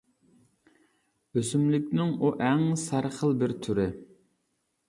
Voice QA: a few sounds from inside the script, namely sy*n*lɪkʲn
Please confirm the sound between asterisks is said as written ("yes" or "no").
no